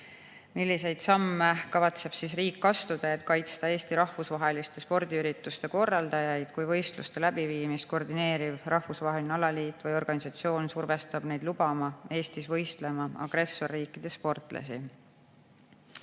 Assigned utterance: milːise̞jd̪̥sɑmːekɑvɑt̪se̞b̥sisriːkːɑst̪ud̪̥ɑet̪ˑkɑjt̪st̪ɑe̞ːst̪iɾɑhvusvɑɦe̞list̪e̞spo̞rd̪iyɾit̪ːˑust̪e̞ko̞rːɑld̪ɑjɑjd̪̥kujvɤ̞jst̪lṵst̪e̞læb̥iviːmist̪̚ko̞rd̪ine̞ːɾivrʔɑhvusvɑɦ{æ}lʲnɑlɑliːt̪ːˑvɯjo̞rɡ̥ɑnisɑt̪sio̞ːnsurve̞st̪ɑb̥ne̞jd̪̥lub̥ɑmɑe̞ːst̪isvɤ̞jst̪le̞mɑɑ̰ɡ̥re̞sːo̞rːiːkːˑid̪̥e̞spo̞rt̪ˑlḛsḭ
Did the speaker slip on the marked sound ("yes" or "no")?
yes